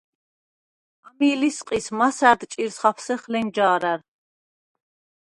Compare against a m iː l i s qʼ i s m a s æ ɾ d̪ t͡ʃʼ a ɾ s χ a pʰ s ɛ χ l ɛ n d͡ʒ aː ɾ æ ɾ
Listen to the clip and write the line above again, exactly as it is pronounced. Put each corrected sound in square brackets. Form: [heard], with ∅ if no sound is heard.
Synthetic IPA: a m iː l i s qʼ i s m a s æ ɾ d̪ t͡ʃʼ [i] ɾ s χ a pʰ s ɛ χ l ɛ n d͡ʒ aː ɾ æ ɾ